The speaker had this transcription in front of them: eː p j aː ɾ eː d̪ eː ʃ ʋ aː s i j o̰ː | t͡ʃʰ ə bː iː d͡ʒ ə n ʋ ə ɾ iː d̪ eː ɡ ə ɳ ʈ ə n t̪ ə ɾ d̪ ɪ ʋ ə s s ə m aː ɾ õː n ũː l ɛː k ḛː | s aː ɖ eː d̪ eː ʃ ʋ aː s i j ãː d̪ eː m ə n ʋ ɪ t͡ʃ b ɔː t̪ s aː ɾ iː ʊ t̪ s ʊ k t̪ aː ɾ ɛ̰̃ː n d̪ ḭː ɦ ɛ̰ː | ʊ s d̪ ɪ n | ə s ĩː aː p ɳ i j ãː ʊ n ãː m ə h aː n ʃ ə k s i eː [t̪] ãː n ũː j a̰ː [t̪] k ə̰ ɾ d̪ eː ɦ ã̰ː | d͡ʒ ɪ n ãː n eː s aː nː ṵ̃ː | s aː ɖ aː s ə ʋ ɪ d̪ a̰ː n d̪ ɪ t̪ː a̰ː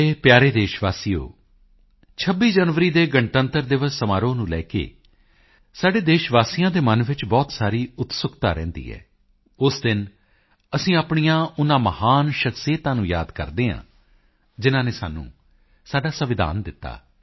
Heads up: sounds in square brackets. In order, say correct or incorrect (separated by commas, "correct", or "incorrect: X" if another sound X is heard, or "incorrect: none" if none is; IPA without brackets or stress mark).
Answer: correct, incorrect: d̪